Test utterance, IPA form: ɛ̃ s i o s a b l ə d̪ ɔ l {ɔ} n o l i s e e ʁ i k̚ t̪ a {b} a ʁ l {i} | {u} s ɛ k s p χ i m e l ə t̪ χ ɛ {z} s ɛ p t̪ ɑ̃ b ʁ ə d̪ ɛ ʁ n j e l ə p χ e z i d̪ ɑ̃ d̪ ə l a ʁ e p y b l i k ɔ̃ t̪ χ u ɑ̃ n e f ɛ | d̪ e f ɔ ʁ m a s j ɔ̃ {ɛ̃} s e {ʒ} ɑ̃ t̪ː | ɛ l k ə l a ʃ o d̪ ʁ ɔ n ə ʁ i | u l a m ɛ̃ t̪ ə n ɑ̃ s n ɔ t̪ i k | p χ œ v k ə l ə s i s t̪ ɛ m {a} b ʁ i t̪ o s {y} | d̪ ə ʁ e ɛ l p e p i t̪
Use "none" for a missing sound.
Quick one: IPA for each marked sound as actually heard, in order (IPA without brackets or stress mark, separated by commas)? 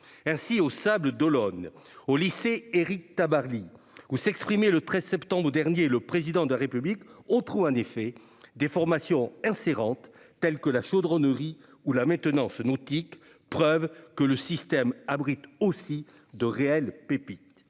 ɔ, b, i, u, z, ɛ̃, ʁ, a, i